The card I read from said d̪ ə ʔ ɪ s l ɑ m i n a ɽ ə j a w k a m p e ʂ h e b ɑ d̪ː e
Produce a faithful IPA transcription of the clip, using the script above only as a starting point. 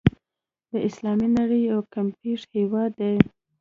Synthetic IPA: d̪ ə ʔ ɪ s l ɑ m i n a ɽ ə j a w k a m p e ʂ h e w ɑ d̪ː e